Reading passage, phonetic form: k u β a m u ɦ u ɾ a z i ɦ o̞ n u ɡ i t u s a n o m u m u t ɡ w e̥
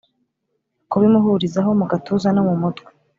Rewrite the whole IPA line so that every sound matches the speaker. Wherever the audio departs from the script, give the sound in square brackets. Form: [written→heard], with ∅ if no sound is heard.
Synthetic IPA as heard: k u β [a→i] m u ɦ u ɾ [a→i] z [i→a] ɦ o̞ [n→m] u ɡ [i→a] t u [s→z] a n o m u m u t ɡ w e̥